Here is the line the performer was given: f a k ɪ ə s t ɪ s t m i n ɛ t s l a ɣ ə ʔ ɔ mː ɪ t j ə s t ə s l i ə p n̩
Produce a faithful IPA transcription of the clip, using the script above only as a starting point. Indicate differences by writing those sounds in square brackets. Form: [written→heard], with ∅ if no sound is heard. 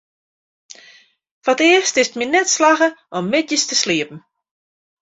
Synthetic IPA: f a [k→t] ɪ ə s t ɪ s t m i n ɛ t s l a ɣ ə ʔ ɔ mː ɪ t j ə s t ə s l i ə p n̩